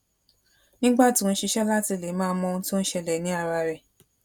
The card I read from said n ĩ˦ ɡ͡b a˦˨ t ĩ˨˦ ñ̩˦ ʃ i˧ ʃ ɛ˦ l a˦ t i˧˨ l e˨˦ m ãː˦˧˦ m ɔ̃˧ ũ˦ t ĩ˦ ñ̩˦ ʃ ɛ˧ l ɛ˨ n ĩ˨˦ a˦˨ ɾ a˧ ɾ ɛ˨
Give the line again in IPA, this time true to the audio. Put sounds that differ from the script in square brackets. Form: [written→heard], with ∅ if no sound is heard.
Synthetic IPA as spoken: n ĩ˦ ɡ͡b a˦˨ t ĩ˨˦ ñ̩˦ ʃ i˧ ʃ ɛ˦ l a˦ t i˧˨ l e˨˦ m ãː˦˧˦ m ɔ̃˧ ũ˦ t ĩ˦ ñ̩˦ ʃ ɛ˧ l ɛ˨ n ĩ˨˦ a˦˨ ɾ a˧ ɾ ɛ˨